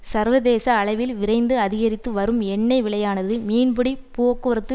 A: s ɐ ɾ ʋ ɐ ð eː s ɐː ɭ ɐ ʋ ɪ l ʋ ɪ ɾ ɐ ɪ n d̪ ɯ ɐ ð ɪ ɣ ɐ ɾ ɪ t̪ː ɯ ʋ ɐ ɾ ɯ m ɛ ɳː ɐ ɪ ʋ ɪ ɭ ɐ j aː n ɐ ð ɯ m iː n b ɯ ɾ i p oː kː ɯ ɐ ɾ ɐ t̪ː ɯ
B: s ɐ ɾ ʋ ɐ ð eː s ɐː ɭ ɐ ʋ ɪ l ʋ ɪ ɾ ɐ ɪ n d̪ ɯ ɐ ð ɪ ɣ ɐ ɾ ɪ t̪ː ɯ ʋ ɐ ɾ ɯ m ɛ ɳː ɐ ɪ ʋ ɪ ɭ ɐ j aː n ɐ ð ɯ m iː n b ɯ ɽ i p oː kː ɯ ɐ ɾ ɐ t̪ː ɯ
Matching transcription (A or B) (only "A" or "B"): B